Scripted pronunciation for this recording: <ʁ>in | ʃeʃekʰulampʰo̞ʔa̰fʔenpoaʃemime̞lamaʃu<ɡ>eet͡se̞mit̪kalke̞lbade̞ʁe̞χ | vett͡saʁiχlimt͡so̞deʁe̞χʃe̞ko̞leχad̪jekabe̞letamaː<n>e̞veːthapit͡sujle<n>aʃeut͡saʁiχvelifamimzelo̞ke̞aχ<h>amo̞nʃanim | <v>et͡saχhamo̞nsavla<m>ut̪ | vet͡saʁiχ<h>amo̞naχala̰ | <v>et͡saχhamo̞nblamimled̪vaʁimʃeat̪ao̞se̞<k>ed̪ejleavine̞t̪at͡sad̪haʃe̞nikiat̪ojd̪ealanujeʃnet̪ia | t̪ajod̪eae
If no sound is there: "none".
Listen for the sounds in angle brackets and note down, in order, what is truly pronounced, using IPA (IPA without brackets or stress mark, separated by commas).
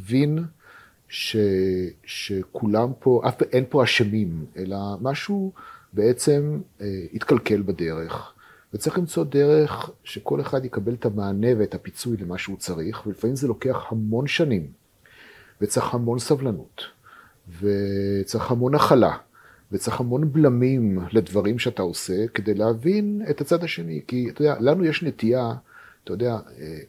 v, b, n, m, h, v, n, h, v, k